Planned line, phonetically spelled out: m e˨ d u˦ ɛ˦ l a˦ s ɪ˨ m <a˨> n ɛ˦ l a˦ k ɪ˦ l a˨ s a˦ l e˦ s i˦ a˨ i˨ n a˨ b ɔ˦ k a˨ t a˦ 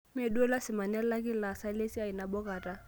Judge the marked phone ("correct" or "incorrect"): correct